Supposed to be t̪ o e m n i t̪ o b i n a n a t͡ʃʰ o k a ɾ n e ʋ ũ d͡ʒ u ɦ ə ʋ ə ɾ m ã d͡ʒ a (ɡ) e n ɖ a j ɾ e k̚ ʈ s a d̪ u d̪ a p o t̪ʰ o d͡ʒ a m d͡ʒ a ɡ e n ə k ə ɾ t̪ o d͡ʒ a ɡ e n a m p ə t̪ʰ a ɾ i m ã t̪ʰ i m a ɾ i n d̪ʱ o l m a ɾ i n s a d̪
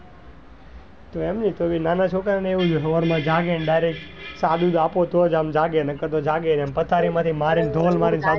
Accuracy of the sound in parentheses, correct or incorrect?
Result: correct